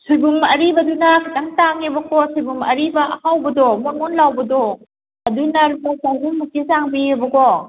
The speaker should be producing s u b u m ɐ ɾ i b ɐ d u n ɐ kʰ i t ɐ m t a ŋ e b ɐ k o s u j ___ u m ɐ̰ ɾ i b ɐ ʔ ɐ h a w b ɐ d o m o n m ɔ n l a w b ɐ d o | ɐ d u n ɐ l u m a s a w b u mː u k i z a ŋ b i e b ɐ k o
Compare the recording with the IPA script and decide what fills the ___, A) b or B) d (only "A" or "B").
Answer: A